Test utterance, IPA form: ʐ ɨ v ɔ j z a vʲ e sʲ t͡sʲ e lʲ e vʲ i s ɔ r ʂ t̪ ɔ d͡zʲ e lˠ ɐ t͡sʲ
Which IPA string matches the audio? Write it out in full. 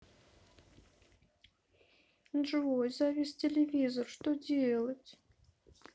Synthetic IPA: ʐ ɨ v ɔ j z a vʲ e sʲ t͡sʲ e lʲ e vʲ i z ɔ r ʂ t̪ ɔ d͡zʲ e lˠ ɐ t͡sʲ